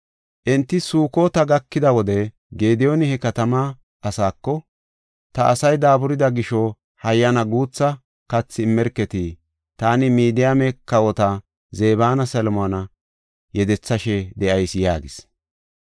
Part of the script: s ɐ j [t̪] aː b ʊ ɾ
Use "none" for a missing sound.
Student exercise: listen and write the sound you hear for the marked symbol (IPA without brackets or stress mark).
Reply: d̪